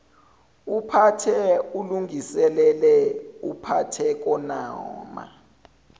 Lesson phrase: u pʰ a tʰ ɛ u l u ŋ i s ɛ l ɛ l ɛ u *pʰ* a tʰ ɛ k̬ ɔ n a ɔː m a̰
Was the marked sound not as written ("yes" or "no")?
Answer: no